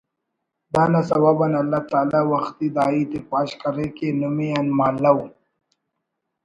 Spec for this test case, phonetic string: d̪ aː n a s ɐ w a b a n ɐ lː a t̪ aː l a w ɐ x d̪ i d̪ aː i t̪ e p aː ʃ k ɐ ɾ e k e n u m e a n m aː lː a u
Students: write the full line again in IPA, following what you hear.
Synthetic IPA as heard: d̪ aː n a s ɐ w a b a n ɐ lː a t̪ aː l a w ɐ x t̪ i d̪ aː i t̪ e p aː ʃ k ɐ ɾ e k e n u m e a n m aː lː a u